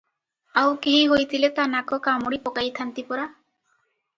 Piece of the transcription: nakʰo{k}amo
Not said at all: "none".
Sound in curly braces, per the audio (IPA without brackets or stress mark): k